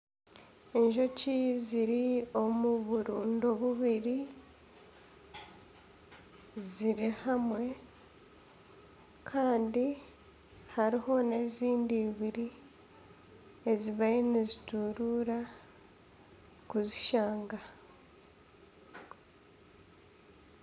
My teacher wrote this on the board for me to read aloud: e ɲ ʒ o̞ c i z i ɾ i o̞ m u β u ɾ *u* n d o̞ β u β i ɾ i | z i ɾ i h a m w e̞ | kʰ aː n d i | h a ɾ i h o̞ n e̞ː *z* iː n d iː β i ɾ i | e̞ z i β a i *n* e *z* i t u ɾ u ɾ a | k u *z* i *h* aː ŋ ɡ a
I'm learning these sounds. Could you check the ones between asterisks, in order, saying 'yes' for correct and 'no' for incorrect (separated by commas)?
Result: no, yes, yes, yes, yes, no